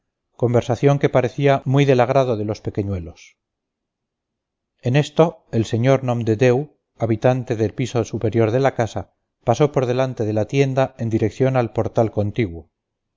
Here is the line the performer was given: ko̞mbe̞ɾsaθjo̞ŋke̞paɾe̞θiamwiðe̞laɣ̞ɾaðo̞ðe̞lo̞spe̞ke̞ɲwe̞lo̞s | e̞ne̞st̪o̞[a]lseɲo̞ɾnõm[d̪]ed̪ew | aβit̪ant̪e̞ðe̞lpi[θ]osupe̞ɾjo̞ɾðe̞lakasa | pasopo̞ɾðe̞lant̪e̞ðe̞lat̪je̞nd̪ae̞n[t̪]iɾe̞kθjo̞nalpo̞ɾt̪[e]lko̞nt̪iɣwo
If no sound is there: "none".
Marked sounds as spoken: e, d̪, s, d̪, a

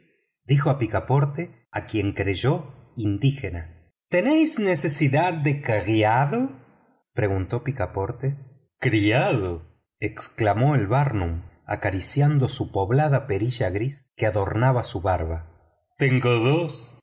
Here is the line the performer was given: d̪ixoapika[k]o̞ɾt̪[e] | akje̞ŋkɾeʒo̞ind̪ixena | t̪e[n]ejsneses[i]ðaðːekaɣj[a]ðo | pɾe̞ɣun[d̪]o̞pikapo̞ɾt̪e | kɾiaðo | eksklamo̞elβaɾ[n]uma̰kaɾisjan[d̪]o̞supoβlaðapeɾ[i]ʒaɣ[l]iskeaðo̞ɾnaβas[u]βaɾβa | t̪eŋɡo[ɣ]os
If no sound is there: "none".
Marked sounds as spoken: p, e, n, i, a, t̪, n, d̪, i, ɾ, u, ð

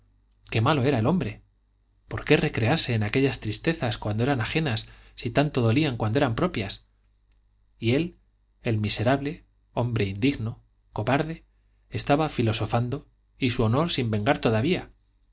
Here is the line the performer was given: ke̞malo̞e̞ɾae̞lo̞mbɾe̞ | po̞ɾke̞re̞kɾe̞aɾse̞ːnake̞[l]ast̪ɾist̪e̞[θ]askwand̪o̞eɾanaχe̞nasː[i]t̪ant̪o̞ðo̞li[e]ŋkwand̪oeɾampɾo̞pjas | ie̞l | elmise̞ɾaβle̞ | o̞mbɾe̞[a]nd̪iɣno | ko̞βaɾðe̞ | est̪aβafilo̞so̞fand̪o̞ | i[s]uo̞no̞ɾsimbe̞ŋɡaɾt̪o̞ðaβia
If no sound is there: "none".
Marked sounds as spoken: ʎ, θ, i, a, i, s

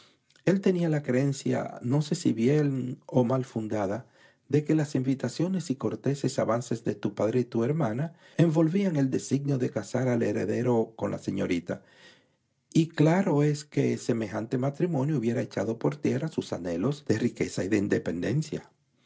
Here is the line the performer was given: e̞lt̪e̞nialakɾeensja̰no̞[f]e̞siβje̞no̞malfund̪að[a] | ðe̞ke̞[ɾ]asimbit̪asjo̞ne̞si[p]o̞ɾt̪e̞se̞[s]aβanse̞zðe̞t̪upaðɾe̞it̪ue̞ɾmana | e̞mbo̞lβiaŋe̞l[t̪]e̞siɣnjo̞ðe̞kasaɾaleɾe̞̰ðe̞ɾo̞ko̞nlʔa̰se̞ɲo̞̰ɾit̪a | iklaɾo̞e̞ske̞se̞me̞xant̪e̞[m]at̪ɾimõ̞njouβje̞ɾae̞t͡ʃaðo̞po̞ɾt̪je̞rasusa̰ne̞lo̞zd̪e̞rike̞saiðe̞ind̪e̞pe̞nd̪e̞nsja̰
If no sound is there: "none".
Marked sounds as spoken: s, a, l, k, s, d̪, m

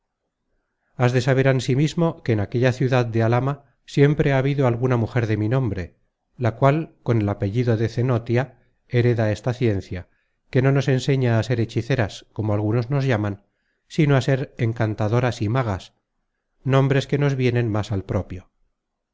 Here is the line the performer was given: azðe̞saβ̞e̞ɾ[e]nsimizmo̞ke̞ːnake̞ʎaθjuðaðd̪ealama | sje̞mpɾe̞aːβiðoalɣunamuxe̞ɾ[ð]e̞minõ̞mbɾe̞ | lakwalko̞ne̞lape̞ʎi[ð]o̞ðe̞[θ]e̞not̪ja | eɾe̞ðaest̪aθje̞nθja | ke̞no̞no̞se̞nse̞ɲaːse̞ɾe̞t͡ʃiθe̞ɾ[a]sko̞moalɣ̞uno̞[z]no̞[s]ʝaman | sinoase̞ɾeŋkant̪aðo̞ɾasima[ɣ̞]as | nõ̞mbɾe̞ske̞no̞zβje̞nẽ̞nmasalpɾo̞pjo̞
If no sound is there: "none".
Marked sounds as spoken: a, ð, ð, θ, a, z, z, ɣ̞

